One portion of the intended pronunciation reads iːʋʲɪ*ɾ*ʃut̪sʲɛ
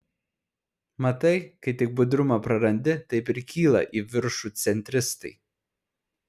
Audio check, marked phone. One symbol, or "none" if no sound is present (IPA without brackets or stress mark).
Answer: ɾ